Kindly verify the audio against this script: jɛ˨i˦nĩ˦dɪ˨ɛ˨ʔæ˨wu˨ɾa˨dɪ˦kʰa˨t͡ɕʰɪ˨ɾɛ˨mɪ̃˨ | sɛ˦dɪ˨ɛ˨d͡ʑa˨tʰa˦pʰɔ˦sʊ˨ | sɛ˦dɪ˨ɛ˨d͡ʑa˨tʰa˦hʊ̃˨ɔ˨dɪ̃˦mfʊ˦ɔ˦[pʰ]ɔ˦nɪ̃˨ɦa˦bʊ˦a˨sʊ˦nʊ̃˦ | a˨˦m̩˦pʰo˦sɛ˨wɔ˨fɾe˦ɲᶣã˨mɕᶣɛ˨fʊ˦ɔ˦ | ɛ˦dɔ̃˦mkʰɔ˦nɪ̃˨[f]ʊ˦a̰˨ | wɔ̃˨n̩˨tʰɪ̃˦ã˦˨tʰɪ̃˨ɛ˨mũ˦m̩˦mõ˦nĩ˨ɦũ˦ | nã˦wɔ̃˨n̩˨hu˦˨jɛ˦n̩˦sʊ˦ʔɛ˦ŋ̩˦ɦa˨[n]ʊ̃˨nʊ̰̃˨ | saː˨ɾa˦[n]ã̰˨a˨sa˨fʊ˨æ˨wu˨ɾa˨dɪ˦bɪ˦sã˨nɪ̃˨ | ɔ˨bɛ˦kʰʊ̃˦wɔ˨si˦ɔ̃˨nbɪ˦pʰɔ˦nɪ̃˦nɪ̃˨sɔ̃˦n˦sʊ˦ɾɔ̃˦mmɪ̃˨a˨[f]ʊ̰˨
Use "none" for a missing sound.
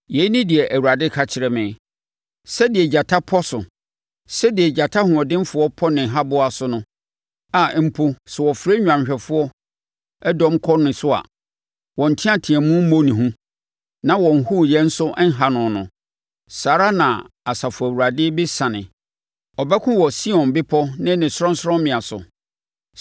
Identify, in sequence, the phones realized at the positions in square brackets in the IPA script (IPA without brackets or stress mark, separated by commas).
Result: pʰ, s, n, n, s